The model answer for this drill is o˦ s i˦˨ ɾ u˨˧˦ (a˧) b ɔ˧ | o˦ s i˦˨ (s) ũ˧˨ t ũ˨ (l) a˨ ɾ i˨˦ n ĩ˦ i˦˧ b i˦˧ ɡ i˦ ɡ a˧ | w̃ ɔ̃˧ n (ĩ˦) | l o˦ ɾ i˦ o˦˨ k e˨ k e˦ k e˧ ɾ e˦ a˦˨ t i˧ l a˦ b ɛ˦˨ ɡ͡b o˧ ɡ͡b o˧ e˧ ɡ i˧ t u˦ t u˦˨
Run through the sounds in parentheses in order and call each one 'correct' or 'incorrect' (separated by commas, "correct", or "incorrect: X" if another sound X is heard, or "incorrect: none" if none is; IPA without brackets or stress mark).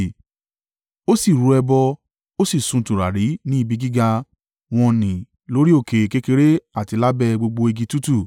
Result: incorrect: ɛ˧, correct, incorrect: ɾ, incorrect: ĩ˨